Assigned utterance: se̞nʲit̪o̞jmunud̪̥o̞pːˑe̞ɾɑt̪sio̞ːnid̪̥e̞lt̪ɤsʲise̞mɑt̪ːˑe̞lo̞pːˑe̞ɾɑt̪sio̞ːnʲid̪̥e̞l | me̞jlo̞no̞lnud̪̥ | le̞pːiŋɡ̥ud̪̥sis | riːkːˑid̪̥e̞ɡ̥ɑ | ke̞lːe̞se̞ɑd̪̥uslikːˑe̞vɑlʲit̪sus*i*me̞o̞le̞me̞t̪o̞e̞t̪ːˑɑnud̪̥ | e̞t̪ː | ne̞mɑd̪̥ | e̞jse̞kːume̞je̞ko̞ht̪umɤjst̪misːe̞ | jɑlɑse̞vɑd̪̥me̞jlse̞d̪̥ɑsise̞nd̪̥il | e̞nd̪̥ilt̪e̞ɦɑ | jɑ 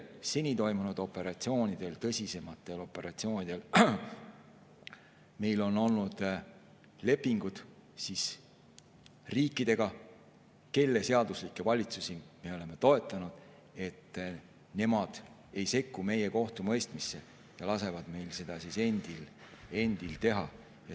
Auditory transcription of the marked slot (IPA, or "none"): i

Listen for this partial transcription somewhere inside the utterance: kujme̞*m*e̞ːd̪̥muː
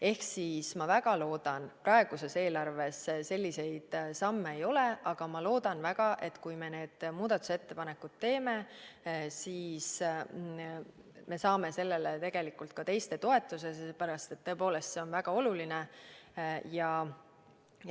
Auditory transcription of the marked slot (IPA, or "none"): n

